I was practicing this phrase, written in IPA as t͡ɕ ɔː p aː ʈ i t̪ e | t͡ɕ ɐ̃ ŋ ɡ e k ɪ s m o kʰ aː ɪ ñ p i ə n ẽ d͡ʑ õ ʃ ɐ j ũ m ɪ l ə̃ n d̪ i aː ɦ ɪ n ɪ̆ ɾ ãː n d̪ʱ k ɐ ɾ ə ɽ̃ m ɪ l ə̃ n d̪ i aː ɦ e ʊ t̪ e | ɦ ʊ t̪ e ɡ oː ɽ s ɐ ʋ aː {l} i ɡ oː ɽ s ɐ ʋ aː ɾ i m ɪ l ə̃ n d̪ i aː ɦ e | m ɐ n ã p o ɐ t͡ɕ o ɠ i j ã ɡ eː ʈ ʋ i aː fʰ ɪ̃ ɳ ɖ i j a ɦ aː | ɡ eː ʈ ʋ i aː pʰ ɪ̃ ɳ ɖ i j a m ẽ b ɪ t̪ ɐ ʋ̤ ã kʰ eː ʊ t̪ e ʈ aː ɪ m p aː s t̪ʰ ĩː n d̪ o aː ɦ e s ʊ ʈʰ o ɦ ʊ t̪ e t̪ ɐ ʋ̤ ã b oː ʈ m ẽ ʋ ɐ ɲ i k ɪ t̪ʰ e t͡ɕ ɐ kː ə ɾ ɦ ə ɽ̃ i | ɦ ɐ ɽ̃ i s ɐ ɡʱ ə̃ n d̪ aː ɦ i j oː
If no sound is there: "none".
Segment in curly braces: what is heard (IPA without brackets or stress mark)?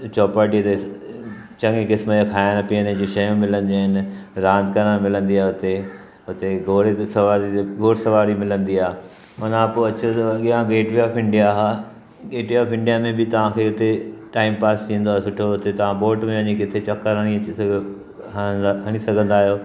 ɾ